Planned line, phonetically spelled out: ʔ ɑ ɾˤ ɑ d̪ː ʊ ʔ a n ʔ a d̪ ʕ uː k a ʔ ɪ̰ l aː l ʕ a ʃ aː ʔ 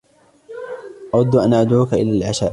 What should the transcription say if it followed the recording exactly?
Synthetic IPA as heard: ʔ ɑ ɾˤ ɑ d̪ː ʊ ʔ a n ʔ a d̪ ʕ uː k a ʔ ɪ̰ l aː l ʕ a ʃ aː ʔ